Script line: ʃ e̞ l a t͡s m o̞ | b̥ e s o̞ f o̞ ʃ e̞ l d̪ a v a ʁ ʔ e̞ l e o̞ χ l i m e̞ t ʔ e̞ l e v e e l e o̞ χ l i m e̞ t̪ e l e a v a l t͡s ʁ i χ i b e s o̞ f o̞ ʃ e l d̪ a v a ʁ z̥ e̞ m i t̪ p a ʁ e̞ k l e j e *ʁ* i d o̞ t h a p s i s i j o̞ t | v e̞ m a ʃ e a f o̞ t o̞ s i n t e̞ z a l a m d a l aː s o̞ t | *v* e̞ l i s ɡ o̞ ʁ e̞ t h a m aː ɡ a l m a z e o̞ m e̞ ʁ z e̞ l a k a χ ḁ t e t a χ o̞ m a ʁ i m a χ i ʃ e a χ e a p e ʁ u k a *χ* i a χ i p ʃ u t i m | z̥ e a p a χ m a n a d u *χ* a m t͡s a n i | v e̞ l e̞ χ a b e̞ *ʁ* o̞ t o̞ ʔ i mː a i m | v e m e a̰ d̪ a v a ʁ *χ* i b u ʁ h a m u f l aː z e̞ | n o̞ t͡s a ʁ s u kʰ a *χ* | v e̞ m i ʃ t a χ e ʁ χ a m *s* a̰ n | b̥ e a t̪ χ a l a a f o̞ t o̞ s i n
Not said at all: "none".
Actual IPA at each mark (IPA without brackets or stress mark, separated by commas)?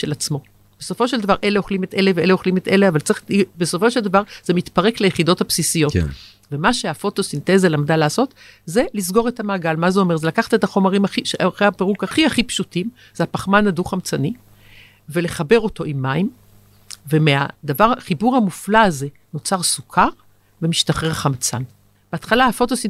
χ, z, χ, χ, ʁ, χ, ʁ, t͡s